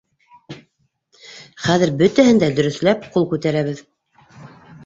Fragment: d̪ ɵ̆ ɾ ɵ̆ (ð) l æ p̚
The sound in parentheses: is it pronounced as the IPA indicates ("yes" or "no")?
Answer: no